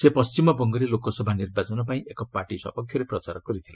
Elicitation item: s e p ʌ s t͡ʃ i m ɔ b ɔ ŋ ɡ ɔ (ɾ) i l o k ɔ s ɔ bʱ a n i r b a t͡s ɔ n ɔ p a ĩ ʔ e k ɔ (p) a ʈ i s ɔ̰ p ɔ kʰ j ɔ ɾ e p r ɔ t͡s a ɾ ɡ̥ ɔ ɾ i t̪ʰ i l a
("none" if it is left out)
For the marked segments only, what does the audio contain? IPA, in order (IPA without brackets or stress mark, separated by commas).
ɾ, p